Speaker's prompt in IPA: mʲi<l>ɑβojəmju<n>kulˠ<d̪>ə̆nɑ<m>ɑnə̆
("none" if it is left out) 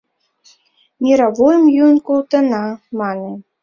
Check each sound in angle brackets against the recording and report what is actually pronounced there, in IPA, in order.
ɾ, n, t̪, m

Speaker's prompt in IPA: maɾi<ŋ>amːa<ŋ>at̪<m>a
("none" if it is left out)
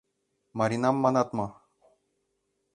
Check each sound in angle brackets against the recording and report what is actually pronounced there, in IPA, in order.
n, n, m

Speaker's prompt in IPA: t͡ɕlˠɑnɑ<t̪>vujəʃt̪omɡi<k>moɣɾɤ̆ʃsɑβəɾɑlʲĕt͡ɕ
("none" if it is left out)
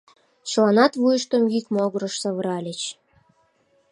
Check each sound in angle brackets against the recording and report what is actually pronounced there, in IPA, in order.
t̪, k

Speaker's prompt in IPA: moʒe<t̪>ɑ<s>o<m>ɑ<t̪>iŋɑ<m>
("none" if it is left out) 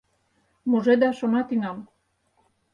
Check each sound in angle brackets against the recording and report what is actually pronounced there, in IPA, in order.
d̪, ʃ, n, t̪, m

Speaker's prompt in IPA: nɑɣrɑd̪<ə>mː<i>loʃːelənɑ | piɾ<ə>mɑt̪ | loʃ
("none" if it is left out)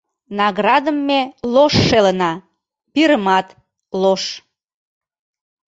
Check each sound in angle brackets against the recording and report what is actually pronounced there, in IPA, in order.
ə, e, ə

